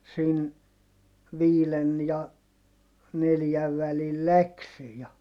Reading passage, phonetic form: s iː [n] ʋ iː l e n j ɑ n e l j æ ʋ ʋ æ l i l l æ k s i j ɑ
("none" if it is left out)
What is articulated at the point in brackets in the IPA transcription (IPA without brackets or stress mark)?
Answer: n